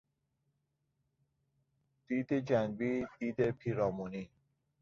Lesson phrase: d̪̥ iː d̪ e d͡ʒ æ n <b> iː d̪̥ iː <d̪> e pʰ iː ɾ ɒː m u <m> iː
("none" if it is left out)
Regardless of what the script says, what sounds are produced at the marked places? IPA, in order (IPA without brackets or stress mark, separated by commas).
b, d̪, n